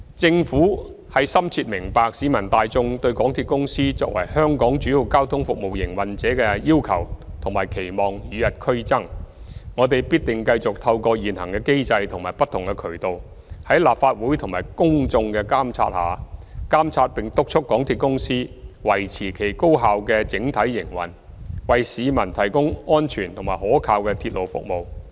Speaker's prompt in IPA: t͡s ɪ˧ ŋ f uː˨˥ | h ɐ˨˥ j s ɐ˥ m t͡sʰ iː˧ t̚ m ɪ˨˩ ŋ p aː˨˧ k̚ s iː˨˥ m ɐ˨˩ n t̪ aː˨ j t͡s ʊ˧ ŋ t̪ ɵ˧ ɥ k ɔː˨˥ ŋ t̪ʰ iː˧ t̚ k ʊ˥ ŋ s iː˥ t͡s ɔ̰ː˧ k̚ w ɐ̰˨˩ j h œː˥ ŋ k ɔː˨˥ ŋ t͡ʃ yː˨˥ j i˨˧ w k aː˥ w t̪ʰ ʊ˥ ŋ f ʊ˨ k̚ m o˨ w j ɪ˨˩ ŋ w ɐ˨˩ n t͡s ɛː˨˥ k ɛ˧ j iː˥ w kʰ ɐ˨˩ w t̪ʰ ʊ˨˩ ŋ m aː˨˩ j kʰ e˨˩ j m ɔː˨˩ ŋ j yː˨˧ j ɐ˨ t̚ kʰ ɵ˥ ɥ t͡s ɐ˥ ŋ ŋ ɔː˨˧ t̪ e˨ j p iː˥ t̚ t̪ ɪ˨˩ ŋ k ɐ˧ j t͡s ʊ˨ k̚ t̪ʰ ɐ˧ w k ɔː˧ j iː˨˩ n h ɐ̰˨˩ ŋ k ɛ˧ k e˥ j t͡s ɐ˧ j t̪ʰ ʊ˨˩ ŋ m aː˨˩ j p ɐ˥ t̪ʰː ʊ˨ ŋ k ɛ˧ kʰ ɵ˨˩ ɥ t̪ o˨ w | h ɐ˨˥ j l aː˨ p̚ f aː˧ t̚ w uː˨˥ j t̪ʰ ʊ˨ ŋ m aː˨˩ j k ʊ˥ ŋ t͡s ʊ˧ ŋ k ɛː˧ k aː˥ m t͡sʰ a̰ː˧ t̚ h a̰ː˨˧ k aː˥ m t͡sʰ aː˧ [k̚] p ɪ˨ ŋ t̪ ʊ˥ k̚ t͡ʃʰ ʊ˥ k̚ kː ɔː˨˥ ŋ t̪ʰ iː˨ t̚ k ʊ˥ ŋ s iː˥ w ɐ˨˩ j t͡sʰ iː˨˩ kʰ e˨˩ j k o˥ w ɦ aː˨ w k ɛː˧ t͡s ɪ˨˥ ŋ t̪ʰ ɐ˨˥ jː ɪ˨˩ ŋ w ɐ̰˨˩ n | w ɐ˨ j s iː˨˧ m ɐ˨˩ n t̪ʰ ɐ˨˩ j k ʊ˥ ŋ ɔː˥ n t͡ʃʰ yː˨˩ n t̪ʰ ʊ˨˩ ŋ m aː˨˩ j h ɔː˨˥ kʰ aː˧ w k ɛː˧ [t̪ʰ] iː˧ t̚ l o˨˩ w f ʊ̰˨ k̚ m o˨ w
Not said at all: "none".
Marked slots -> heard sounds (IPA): t̚, t̪ʰ

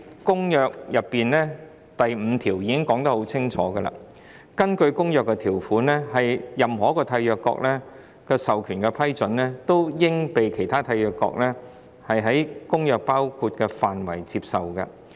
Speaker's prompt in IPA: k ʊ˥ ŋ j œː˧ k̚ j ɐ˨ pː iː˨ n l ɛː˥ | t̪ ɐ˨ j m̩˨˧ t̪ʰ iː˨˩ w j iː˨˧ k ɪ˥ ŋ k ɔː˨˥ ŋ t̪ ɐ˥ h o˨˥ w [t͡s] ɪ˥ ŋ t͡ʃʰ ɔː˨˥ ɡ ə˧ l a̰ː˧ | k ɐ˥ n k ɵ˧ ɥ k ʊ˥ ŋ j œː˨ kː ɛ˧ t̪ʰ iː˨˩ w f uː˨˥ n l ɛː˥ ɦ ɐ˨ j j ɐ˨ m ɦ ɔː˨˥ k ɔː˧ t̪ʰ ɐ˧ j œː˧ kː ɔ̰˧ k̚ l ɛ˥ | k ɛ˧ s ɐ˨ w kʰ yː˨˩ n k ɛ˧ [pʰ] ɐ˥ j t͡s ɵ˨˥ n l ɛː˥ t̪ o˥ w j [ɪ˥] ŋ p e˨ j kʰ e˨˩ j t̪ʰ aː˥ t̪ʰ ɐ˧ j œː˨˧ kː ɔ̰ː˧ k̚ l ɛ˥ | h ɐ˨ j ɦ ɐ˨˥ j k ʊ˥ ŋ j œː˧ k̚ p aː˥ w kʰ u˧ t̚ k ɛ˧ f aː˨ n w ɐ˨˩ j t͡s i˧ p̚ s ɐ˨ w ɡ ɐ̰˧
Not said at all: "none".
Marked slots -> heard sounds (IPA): t͡sʰ, pʰ, ɪ˥

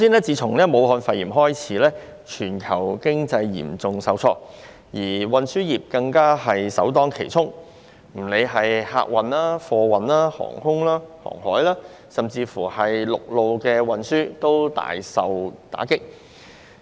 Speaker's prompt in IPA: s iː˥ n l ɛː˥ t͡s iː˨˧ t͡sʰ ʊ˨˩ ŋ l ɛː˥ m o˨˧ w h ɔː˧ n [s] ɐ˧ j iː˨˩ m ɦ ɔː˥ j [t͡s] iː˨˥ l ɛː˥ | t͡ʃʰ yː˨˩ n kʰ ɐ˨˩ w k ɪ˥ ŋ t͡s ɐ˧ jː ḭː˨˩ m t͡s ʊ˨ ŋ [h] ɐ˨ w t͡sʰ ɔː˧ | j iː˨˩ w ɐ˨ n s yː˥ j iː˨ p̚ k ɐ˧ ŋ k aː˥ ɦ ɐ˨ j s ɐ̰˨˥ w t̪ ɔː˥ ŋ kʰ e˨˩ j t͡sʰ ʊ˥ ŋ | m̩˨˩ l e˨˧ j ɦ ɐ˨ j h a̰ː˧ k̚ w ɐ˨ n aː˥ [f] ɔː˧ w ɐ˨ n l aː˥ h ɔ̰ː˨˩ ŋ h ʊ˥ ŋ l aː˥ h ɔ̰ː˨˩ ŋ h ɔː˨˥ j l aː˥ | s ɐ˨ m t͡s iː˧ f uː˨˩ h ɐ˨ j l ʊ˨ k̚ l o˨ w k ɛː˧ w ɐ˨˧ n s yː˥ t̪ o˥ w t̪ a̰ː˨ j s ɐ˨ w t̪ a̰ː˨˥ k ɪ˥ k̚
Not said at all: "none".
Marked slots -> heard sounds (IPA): f, t͡sʰ, s, f

